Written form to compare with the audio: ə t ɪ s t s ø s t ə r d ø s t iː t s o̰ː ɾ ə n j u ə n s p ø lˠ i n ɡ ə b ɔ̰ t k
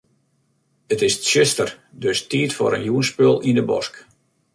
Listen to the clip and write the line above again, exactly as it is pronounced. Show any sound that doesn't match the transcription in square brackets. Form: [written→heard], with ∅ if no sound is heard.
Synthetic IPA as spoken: ə t ɪ s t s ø s t ə r d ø s t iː t [s→f] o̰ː ɾ ə n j u ə n s p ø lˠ i n [ɡ→d] ə b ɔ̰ [t→s] k